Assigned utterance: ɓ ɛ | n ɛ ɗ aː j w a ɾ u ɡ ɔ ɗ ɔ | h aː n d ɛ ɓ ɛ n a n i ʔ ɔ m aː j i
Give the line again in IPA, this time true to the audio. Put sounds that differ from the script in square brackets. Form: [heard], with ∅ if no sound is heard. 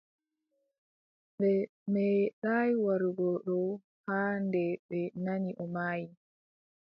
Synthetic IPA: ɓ ɛ | [m] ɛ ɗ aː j w a ɾ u ɡ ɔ ɗ ɔ | h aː n d ɛ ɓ ɛ n a n i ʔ ɔ m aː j i